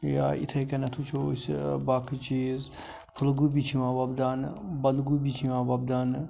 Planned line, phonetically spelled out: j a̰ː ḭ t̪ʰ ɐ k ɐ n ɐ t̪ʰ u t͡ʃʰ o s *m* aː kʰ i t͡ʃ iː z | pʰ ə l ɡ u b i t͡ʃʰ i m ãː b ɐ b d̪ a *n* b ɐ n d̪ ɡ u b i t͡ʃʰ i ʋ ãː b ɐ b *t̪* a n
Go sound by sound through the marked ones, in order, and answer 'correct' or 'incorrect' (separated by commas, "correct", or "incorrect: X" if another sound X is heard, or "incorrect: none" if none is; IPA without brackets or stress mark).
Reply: incorrect: b, correct, incorrect: d̪